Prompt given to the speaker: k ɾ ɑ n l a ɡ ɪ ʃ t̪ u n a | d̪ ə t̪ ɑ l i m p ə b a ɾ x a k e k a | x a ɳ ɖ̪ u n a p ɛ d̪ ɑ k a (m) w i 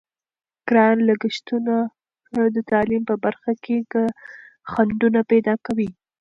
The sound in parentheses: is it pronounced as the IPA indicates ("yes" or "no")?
no